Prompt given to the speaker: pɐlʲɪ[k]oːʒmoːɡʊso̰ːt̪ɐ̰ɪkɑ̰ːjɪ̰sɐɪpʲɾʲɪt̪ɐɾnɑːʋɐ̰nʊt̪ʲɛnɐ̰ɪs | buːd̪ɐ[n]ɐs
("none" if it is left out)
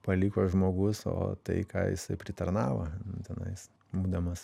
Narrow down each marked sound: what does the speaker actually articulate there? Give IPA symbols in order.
k, m

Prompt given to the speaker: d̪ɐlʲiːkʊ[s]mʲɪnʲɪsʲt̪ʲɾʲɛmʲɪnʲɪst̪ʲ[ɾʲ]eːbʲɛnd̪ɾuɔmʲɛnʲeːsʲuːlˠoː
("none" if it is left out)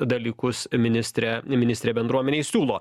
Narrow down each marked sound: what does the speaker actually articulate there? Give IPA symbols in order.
s, ɾʲ

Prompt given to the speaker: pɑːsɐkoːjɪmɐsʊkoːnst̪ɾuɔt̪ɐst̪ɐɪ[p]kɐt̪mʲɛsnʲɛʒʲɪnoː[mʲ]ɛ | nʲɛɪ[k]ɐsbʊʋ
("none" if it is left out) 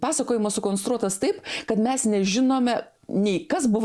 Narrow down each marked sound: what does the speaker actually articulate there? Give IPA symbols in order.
p, mʲ, k

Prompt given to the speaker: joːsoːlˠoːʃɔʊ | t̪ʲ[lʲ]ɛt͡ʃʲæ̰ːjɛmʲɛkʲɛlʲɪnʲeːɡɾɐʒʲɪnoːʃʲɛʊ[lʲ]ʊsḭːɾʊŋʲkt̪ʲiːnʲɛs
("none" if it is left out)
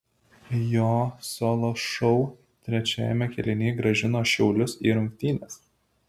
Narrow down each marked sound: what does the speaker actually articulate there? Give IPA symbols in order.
ɾʲ, lʲ

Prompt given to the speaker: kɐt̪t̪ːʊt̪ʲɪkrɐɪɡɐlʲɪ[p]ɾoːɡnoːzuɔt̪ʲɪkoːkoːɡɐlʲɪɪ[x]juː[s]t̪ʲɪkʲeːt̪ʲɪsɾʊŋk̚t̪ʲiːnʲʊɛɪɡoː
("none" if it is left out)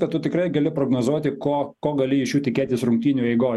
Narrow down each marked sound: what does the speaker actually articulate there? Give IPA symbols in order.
p, ʃ, none

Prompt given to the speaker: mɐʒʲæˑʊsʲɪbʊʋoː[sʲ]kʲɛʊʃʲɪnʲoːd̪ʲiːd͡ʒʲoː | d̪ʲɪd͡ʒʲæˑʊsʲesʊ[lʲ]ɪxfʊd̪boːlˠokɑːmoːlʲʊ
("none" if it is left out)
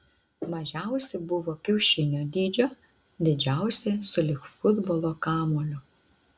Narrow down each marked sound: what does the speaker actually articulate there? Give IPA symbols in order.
none, lʲ

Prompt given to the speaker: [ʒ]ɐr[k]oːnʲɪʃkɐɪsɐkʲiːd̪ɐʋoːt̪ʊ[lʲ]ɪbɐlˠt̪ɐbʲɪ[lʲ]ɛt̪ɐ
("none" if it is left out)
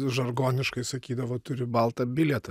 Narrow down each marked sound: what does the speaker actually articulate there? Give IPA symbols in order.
ʒ, ɡ, ɾʲ, lʲ

